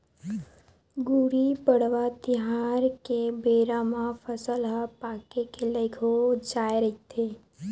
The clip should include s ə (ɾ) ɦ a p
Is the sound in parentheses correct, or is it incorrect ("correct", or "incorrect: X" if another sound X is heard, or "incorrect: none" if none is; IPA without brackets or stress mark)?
incorrect: l